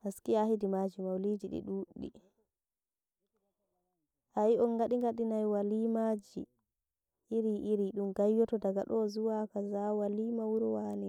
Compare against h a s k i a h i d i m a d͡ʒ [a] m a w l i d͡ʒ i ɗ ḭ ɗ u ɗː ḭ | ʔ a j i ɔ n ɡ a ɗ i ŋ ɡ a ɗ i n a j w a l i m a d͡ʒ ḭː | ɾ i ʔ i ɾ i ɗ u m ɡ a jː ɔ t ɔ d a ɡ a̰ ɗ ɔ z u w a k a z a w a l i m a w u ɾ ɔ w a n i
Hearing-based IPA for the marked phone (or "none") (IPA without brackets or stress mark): i